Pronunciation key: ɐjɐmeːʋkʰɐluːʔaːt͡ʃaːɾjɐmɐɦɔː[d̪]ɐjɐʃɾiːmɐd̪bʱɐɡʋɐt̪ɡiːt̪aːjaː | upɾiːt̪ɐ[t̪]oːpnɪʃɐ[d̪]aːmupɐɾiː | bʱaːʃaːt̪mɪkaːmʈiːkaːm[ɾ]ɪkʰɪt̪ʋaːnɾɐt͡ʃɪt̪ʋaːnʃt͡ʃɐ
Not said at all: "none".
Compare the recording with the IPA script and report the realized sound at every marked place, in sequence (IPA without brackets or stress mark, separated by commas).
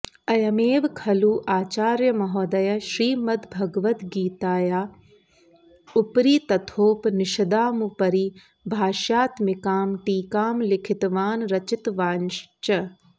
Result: d̪, t̪ʰ, d̪, l